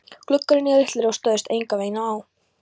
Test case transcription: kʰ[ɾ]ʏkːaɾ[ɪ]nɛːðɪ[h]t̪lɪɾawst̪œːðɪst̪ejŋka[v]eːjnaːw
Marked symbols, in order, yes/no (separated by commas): no, yes, yes, yes